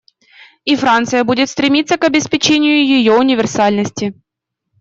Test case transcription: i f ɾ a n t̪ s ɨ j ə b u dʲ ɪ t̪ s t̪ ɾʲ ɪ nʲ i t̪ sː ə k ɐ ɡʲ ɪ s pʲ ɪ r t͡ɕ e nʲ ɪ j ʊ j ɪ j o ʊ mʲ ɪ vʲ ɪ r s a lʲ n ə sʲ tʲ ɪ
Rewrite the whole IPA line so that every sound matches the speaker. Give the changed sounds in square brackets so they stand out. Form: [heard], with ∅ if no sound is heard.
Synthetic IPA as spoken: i f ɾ a n t̪ s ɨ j ə b u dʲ ɪ t̪ s t̪ ɾʲ ɪ [mʲ] i t̪ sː ə k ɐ [bʲ] ɪ s pʲ ɪ [∅] t͡ɕ e nʲ ɪ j ʊ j ɪ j o ʊ [nʲ] ɪ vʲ ɪ r s a lʲ n ə sʲ tʲ ɪ